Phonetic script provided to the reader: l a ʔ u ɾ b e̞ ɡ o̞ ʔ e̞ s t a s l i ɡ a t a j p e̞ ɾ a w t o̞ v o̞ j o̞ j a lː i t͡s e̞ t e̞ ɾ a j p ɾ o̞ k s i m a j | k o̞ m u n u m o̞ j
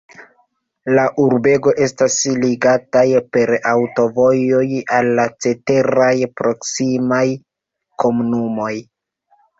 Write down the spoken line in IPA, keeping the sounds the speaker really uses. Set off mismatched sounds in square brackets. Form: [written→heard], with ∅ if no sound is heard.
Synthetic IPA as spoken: l a ʔ u ɾ b e̞ ɡ o̞ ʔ e̞ s t a s l i ɡ a t a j p e̞ ɾ a w t o̞ v o̞ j o̞ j a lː [i→a] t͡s e̞ t e̞ ɾ a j p ɾ o̞ k s i m a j | k o̞ m u n u m o̞ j

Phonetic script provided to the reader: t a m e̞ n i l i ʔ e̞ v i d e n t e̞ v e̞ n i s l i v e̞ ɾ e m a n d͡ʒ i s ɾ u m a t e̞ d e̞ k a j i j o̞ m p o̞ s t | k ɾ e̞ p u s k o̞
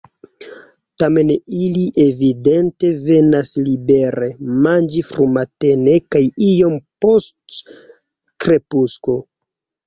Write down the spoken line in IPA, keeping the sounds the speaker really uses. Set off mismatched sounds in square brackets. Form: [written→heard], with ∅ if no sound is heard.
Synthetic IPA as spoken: t a m e̞ n i l i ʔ e̞ v i d e n t e̞ v e̞ n [i→a] s l i [v→b] e̞ ɾ e m a n d͡ʒ i [s→f] ɾ u m a t e̞ [d→n] e̞ k a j i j o̞ m p o̞ s t | k ɾ e̞ p u s k o̞

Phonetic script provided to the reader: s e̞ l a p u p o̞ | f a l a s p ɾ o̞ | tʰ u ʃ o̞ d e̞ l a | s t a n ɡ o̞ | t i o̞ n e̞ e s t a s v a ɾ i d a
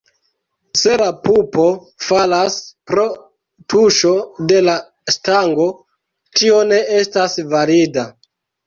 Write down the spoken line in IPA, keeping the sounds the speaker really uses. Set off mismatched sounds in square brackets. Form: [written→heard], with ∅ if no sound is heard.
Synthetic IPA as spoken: s e̞ l a p u p o̞ | f a l a s p ɾ o̞ | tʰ u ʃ o̞ d e̞ l a | s t a [n→ŋ] ɡ o̞ | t i o̞ n e̞ e s t a s v a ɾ i d a

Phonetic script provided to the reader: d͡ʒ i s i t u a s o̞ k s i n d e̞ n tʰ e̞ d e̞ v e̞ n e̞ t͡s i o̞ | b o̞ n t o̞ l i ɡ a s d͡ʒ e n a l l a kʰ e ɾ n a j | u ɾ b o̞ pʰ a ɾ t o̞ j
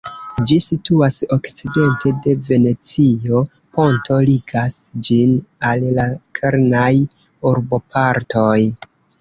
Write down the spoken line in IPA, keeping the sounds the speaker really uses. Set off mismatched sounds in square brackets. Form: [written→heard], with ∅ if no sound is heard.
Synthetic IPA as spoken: d͡ʒ i s i t u a s o̞ k [s→t͡s] i [n→∅] d e̞ n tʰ e̞ d e̞ v e̞ n e̞ t͡s i o̞ | [b→p] o̞ n t o̞ l i ɡ a s d͡ʒ [e→i] n a l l a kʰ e ɾ n a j | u ɾ b o̞ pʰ a ɾ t o̞ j

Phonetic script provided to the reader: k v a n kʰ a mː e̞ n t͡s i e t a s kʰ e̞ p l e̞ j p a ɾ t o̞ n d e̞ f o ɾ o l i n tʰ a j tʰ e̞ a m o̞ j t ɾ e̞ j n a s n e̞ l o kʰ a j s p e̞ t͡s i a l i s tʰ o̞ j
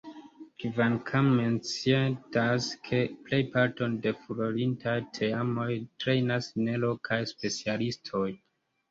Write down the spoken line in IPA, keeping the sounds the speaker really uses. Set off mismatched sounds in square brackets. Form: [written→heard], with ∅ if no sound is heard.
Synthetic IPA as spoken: k v a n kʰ a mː e̞ n t͡s i e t a s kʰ e̞ p l e̞ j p a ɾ t o̞ n d e̞ f [o→u] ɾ o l i n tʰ a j tʰ e̞ a m o̞ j t ɾ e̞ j n a s n e̞ l o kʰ a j s p e̞ t͡s i a l i s tʰ o̞ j

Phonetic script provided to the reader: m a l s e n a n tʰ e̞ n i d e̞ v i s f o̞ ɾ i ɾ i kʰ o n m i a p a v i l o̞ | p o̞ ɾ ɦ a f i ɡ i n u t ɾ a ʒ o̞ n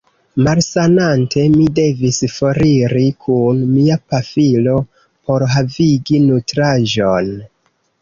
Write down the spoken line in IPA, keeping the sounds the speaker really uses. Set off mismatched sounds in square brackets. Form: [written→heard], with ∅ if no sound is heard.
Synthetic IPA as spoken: m a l s [e→a] n a n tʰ e̞ [n→m] i d e̞ v i s f o̞ ɾ i ɾ i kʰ [o→u] n m i a p a [v→f] i l o̞ | p o̞ ɾ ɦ a [f→v] i ɡ i n u t ɾ a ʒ o̞ n

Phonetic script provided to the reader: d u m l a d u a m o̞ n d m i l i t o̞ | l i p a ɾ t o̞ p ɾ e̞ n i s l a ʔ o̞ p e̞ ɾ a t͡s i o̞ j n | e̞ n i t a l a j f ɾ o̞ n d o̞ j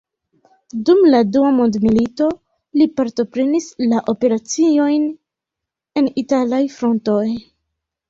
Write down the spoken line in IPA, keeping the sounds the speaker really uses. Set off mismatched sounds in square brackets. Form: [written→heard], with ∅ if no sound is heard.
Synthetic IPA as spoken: d u m l a d u a m o̞ n d m i l i t o̞ | l i p a ɾ t o̞ p ɾ e̞ n i s l a ʔ o̞ p e̞ ɾ a t͡s i o̞ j n | e̞ n i t a l a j f ɾ o̞ n [d→t] o̞ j

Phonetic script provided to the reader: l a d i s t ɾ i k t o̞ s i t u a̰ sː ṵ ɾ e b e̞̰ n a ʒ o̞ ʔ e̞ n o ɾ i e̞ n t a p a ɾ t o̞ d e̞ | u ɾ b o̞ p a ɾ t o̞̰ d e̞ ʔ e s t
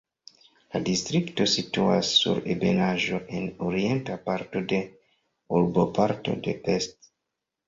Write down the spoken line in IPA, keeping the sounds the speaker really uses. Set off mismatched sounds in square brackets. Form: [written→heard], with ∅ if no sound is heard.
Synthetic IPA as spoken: l a d i s t ɾ i k t o̞ s i t u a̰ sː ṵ ɾ e b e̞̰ n a ʒ o̞ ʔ e̞ n o ɾ i e̞ n t a p a ɾ t o̞ d e̞ | u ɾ b o̞ p a ɾ t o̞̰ d e̞ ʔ e s t

